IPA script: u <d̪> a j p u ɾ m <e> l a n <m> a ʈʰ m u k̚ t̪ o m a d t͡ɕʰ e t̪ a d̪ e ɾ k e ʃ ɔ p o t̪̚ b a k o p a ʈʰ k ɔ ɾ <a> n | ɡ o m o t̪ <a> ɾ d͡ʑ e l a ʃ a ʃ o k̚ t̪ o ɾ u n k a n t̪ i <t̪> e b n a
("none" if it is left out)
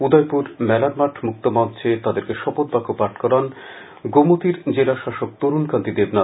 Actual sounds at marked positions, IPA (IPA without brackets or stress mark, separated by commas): d̪, ɛ, m, a, i, d̪